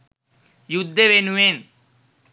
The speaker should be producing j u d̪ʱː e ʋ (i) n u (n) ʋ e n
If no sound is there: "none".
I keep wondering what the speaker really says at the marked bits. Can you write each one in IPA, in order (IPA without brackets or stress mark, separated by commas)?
e, none